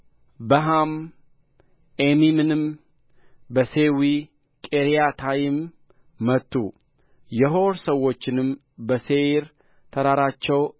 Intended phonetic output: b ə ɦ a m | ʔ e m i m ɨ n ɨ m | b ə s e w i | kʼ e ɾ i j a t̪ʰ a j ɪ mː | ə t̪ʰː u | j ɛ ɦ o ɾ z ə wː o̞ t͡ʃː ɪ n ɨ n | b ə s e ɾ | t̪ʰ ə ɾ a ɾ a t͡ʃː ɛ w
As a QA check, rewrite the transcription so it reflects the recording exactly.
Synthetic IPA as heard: b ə ɦ a m | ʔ e m i m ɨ n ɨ m | b ə s e w i | kʼ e ɾ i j a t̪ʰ a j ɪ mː | ə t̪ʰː u | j ɛ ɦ o ɾ s ə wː o̞ t͡ʃː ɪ n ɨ m | b ə s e ɾ | t̪ʰ ə ɾ a ɾ a t͡ʃː ɛ w